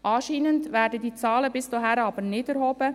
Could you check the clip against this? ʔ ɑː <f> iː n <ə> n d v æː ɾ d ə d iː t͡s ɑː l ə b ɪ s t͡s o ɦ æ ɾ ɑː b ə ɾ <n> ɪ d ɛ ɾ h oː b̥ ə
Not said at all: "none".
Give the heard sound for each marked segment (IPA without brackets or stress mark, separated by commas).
ʃ, ə, n